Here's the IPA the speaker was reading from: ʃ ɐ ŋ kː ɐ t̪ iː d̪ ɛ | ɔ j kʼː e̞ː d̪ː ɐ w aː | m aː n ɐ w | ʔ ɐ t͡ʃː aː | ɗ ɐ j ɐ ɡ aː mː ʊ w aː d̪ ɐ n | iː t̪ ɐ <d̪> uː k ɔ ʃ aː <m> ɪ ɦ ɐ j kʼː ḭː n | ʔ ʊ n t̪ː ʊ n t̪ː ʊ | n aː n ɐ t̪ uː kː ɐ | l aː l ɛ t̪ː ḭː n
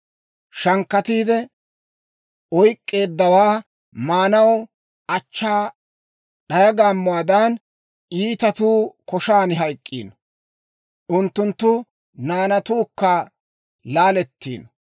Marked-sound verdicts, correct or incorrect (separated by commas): incorrect, incorrect